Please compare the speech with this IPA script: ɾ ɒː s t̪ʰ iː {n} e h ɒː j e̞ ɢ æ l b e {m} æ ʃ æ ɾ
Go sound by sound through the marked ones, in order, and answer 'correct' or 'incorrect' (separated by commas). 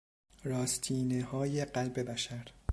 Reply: correct, incorrect